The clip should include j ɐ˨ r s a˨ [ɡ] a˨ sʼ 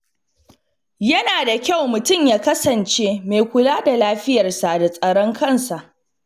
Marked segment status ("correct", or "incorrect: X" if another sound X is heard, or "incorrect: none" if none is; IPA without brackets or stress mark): incorrect: d